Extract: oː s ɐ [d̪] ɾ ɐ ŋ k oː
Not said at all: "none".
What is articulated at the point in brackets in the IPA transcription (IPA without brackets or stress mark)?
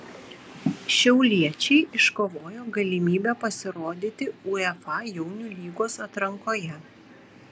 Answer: t̪